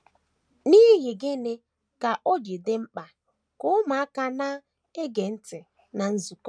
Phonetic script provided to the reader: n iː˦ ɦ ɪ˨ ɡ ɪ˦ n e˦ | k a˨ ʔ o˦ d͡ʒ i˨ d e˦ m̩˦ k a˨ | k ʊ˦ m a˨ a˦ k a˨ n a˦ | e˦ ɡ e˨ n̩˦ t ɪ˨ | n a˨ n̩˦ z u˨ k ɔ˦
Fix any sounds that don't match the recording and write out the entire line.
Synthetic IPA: n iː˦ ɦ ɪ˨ ɡ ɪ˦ n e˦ | k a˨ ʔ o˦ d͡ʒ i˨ d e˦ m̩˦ k͡p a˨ | k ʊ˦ m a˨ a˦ k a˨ n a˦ | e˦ ɡ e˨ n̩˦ t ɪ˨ | n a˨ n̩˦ z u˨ k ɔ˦

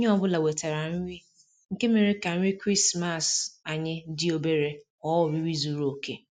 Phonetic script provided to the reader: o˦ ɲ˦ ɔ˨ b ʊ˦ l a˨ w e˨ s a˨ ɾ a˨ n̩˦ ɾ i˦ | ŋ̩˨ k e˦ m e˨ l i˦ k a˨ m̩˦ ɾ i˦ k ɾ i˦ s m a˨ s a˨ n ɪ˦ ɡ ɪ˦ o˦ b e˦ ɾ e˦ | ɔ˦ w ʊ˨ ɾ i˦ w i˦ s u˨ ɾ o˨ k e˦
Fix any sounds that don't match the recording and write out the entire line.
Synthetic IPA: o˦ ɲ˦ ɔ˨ b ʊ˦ l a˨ w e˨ t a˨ ɾ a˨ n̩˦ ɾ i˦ | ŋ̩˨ k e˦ m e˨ ɾ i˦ k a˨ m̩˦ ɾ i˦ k ɾ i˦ s m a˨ s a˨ ɲ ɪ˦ d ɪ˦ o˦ b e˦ ɾ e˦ | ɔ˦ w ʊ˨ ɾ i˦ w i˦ z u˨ ɾ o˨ k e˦

